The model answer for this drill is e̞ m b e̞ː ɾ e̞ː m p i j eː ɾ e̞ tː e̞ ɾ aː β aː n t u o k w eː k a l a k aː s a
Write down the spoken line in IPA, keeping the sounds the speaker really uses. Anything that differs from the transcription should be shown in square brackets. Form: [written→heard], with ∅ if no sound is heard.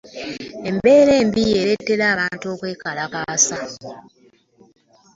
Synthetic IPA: e̞ m b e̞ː ɾ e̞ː m [p→b] i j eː ɾ e̞ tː e̞ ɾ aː β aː n t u o k w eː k a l a k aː s a